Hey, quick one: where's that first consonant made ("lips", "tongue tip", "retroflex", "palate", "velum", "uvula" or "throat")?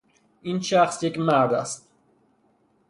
tongue tip